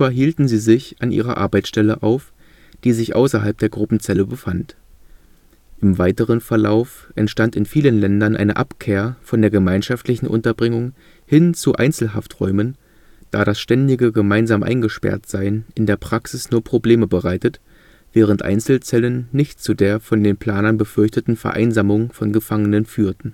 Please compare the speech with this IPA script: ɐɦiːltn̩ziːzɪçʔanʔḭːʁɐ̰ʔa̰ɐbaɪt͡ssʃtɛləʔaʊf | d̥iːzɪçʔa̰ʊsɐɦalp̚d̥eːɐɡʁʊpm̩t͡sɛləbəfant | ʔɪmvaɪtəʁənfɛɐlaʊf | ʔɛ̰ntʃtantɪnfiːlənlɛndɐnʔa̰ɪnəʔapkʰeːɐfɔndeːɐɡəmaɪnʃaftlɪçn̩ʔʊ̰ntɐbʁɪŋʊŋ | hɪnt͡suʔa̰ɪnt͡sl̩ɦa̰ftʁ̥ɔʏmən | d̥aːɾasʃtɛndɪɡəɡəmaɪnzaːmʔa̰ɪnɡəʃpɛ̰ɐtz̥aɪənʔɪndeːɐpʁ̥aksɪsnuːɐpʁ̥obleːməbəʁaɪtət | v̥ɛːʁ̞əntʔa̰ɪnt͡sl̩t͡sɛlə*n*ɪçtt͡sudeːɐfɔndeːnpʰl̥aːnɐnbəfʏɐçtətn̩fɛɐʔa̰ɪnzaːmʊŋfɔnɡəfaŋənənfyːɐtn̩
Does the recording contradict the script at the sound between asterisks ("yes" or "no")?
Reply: yes